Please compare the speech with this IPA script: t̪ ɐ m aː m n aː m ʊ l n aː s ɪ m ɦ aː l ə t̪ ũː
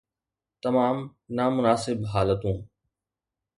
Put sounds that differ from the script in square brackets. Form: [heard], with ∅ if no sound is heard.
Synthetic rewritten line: t̪ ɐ m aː m n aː m ʊ [∅] n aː s ɪ [b] ɦ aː l ə t̪ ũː